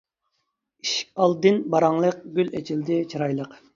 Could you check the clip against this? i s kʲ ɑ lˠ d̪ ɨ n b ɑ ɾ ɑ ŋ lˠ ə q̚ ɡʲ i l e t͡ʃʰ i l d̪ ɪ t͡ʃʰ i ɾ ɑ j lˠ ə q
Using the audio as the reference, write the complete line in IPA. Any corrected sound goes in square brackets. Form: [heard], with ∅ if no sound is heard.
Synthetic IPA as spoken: i [ʃ] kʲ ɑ lˠ d̪ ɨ n b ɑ ɾ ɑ ŋ lˠ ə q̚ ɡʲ [y] l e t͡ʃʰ i l d̪ ɪ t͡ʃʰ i ɾ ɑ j lˠ ə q